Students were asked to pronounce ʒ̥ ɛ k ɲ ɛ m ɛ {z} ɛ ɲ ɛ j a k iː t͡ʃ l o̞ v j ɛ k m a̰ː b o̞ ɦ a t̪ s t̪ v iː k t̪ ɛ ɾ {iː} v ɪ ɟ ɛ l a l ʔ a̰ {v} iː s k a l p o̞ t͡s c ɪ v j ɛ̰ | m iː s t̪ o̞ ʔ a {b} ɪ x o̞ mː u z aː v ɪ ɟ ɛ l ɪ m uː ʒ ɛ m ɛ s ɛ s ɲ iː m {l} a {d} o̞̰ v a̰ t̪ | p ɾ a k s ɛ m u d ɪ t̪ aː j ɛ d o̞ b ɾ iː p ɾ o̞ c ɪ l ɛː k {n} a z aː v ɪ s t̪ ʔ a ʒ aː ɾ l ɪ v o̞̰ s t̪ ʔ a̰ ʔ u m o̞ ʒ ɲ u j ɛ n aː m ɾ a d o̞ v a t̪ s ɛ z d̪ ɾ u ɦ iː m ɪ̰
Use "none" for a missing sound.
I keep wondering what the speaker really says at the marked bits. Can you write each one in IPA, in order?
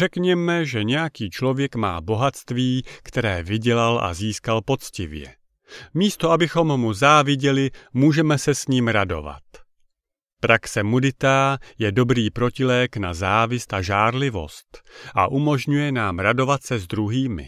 ʒ, ɛː, z, b, ɾ, d, n

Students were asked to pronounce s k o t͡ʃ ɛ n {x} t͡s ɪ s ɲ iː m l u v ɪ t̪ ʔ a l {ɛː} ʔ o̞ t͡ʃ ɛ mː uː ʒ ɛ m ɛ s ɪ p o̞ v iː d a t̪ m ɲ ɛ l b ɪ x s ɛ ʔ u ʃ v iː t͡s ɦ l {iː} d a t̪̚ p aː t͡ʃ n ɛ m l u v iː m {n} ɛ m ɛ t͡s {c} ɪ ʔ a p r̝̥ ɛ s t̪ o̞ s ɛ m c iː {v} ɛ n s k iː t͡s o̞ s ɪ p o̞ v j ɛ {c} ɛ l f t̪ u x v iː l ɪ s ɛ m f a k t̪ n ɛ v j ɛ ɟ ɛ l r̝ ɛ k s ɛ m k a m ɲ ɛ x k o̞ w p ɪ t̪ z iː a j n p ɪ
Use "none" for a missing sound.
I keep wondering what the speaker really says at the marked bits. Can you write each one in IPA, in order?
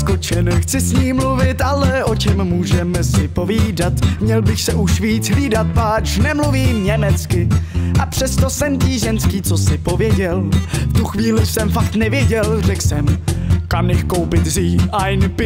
x, ɛ, iː, ɲ, k, ʒ, ɟ

